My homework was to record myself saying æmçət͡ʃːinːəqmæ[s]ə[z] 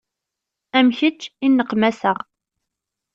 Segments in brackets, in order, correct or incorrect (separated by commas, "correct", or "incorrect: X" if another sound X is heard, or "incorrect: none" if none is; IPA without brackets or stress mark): correct, incorrect: ʁ